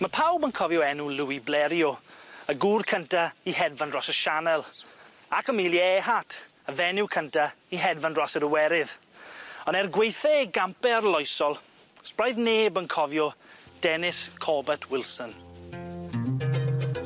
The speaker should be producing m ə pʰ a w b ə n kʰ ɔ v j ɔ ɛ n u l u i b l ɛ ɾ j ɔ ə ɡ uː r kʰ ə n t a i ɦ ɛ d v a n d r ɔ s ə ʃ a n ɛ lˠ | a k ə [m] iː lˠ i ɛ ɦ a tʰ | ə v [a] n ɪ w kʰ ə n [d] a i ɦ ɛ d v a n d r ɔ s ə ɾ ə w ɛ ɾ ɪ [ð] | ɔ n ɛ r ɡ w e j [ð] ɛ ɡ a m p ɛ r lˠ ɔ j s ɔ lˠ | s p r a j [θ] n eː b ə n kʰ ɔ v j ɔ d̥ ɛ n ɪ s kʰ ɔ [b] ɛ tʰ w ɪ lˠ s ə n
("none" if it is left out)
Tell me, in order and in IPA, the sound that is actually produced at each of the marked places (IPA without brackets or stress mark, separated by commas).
m, ɛ, t, ð, θ, ð, b